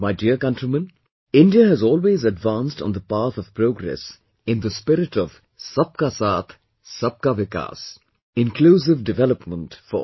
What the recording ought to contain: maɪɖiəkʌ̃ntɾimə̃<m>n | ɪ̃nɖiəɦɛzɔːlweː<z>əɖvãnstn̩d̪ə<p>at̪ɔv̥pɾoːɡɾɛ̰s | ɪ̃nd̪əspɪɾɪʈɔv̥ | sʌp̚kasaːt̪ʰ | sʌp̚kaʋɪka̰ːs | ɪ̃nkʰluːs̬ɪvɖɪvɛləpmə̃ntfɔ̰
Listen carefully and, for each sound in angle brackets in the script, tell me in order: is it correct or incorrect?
incorrect: none, correct, correct

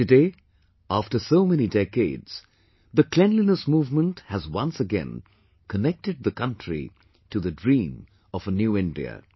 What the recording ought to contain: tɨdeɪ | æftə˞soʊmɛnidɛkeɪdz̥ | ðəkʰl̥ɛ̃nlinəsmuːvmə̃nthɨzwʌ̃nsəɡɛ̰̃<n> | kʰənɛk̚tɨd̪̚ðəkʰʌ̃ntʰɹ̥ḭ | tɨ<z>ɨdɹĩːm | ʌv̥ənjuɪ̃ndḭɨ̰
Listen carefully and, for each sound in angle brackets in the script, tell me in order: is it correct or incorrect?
correct, incorrect: ð

